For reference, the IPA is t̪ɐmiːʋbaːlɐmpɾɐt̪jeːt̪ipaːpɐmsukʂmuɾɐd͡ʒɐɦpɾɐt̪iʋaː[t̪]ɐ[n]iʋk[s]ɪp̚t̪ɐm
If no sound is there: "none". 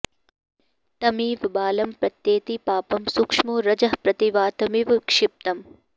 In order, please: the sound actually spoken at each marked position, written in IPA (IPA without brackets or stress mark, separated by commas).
t̪, m, ʂ